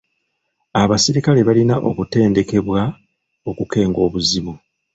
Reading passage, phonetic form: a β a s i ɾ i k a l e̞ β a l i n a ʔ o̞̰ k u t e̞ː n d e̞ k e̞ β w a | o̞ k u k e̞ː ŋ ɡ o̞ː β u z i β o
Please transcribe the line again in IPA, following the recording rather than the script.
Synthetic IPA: a β a s i ɾ i k a l e̞ β a l i n a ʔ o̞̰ k u t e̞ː n d e̞ k e̞ β w a | o̞ k u k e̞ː ŋ ɡ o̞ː β u z i β u